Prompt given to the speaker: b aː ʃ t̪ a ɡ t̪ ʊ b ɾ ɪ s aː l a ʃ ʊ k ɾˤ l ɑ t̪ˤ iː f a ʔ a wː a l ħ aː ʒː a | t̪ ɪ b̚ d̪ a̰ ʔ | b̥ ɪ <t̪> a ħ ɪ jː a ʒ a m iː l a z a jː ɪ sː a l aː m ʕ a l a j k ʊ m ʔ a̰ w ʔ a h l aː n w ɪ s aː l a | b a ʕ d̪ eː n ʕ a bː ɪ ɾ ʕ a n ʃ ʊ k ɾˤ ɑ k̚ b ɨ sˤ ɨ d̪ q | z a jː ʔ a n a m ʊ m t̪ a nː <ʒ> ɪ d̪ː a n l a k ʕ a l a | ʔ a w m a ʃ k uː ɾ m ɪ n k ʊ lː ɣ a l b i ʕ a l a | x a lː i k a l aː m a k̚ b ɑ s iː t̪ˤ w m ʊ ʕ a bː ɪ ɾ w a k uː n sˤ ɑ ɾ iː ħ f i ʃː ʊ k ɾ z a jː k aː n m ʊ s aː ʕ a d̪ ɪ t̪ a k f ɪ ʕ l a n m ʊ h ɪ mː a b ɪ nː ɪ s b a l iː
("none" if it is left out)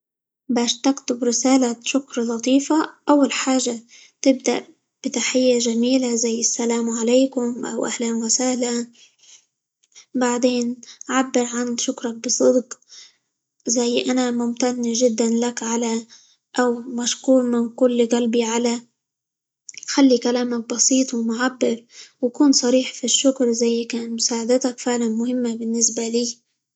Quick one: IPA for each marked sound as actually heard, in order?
t̪, ʒ

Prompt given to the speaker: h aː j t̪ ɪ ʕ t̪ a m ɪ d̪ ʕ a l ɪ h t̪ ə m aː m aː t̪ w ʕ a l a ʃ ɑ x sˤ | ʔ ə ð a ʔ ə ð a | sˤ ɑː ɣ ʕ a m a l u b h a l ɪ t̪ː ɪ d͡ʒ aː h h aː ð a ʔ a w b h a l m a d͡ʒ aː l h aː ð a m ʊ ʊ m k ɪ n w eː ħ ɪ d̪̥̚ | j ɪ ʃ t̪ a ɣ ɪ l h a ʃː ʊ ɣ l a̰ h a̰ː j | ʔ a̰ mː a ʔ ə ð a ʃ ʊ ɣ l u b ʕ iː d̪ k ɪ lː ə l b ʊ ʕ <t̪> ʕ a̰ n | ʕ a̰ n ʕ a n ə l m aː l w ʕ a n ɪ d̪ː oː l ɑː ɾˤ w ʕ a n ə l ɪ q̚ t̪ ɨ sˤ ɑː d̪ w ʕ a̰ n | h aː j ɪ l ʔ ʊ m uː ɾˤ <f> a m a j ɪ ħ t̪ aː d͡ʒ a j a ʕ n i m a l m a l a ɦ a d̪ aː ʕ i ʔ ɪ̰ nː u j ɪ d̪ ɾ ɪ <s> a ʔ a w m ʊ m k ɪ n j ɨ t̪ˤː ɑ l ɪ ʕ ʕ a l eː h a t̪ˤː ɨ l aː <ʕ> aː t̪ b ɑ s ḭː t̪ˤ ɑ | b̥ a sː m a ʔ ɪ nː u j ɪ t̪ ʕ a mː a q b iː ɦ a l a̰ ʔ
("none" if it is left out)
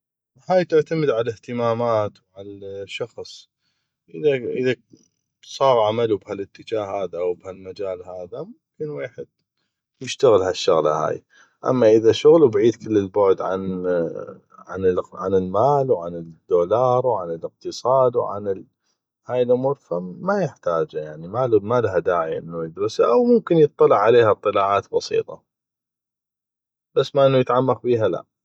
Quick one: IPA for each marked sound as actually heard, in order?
d̪, f, s, ʕ

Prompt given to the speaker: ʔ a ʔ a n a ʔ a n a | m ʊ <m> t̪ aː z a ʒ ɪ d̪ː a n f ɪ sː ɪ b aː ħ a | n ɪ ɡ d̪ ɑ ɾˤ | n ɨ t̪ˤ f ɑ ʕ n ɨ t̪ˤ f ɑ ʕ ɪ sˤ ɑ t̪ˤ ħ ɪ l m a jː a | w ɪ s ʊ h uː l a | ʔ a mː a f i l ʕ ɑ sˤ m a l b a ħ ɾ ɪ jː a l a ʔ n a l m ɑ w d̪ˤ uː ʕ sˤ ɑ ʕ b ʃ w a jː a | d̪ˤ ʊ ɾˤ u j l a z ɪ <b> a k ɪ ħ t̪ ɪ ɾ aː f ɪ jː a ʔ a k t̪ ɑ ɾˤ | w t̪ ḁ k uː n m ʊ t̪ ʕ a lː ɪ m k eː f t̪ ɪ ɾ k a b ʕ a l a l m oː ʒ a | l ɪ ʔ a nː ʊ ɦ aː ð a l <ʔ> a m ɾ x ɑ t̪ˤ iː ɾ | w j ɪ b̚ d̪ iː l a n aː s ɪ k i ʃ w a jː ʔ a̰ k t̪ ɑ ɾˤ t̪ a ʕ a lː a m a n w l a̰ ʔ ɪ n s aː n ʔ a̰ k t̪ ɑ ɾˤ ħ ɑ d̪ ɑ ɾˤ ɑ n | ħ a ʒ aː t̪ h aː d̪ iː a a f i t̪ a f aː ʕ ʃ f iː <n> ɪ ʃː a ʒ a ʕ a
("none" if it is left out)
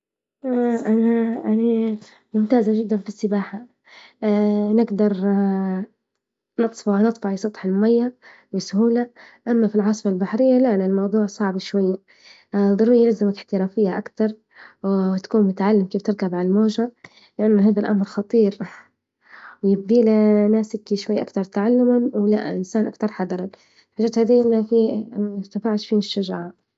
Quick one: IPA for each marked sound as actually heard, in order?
m, m, ʔ, n

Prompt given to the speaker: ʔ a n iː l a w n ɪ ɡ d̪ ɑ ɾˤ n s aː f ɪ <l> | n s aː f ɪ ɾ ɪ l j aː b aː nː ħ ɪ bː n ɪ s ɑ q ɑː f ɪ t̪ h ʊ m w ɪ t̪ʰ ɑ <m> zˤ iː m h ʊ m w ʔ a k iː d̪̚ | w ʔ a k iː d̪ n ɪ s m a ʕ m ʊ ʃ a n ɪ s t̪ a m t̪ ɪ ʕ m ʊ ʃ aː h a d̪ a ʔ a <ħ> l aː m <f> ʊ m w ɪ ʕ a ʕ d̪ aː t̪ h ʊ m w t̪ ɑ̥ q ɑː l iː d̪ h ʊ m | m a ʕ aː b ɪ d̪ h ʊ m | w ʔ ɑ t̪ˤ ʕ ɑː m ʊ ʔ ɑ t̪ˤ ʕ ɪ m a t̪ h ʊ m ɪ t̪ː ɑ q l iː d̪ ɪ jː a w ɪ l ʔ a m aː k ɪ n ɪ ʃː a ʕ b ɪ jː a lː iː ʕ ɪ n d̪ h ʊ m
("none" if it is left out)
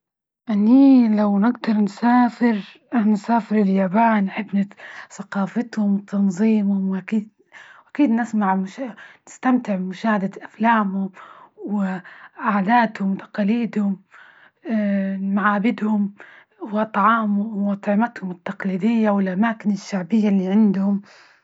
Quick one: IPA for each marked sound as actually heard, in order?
ɾ, n, f, h

